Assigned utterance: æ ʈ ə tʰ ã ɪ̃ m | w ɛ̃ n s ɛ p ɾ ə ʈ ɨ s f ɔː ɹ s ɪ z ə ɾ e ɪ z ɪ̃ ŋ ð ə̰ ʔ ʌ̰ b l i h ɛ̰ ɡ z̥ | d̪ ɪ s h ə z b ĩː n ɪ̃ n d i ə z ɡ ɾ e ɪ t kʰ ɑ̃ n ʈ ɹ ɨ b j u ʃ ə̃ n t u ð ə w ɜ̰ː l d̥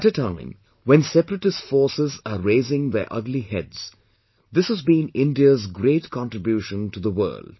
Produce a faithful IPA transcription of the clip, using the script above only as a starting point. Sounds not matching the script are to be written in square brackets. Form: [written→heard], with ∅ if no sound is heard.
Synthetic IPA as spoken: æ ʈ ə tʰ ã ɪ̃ m | w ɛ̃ n s ɛ p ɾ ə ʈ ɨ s f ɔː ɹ s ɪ z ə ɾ e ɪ z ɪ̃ ŋ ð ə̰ ʔ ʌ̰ [b→ɡ] l i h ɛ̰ [ɡ→d] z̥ | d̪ ɪ s h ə z b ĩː n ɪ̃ n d i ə z ɡ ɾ e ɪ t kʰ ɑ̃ n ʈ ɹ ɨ b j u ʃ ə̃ n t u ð ə w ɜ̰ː l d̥